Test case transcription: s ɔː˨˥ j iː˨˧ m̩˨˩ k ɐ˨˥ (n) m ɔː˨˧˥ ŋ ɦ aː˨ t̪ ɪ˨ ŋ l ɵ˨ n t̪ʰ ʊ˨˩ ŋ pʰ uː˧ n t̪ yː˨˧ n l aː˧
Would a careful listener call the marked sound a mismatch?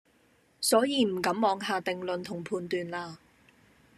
yes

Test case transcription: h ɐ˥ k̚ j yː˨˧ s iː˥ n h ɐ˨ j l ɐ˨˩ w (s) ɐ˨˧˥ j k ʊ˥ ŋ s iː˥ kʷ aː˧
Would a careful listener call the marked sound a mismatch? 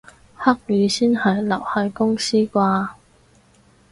yes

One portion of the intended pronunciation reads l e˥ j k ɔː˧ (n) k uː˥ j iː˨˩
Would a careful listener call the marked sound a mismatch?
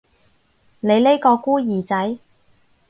yes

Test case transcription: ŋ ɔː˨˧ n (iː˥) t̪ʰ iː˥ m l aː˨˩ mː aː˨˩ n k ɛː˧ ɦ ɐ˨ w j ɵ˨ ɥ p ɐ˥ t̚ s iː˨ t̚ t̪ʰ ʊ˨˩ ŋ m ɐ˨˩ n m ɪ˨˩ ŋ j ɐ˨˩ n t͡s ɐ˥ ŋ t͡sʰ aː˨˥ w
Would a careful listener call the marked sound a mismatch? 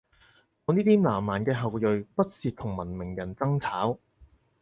no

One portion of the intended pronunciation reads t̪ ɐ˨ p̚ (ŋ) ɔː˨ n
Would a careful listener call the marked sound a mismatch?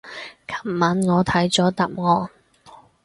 no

